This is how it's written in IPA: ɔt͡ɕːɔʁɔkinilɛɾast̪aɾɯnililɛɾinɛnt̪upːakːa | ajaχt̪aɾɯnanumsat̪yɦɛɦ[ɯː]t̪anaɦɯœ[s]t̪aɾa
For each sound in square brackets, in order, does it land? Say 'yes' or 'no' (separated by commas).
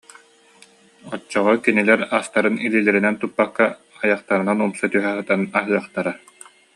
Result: no, no